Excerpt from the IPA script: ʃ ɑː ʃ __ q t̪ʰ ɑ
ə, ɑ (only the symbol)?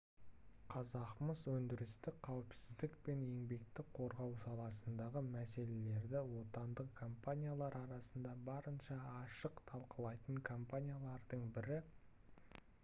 ə